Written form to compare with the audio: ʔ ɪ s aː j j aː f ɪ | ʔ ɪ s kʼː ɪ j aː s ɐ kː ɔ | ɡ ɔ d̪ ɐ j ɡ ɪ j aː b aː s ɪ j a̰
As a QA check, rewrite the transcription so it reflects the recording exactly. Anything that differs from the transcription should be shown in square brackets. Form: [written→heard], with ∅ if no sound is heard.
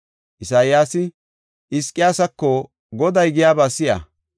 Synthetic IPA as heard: ʔ ɪ s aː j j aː [f→s] ɪ | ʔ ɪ s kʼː ɪ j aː s ɐ kː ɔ | ɡ ɔ d̪ ɐ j ɡ ɪ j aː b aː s ɪ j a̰